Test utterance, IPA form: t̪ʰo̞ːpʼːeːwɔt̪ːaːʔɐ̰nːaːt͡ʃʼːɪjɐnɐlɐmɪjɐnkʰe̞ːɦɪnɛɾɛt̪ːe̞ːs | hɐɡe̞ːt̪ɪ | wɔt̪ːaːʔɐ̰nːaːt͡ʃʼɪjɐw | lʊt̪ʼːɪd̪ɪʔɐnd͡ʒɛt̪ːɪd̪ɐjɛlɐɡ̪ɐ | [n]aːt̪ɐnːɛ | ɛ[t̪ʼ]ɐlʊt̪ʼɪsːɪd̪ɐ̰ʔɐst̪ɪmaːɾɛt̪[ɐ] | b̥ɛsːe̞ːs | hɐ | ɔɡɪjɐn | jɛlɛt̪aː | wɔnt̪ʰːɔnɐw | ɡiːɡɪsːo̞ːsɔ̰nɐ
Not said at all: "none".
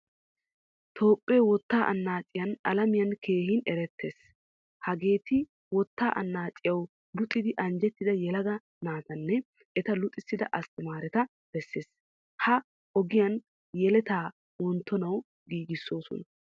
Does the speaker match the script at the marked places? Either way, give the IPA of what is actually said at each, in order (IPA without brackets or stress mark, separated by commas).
n, t̪, ɐ